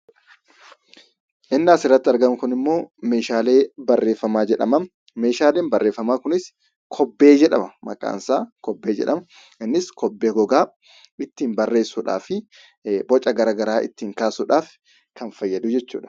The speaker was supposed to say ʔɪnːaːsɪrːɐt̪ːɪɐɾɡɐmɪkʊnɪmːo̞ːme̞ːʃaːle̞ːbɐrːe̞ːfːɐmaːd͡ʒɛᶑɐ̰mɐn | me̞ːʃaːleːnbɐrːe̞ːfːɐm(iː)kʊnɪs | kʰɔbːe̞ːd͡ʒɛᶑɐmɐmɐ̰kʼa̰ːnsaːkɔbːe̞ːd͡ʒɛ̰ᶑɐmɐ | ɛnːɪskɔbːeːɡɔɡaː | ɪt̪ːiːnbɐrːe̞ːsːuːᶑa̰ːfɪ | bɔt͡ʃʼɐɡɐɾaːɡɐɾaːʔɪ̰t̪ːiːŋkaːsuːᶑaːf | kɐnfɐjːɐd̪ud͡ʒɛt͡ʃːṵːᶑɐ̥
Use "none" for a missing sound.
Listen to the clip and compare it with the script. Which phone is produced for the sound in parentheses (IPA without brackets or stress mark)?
aː